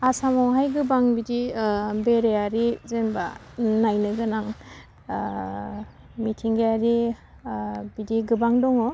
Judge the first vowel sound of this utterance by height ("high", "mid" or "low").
low